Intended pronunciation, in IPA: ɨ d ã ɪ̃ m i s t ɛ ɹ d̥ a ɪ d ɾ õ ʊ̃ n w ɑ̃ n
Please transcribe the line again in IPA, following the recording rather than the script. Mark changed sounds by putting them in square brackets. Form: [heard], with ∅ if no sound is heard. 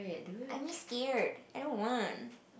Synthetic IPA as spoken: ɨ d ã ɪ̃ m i s [k] ɛ ɹ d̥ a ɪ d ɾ õ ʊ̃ n w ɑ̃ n